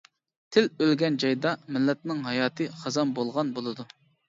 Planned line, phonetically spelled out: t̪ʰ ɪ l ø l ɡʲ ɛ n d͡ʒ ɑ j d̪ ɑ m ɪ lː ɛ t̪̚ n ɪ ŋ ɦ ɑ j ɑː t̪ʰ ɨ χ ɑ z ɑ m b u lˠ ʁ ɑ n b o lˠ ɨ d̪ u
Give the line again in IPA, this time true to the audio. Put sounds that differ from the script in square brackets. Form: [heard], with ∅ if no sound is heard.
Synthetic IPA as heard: t̪ʰ ɪ l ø l ɡʲ ɛ n d͡ʒ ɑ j d̪ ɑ m ɪ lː ɛ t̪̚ n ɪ ŋ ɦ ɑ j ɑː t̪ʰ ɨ χ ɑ z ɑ m b [o] lˠ ʁ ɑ n b o lˠ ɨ d̪ u